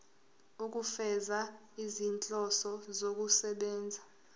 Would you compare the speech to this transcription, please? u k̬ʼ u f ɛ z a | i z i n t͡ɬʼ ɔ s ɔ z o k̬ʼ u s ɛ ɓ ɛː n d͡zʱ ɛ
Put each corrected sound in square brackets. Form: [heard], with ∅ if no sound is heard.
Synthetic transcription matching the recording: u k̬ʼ u f ɛ z a | i z i n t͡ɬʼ ɔ s ɔ z o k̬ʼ u s ɛ ɓ ɛː n d͡zʱ [a]